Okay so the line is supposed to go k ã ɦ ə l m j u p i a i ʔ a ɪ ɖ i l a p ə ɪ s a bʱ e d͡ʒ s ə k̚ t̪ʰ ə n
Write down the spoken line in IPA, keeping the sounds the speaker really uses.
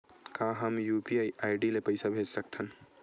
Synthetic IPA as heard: k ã ɦ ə m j u p i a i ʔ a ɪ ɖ i l e p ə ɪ s a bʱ e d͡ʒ s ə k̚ t̪ʰ ə n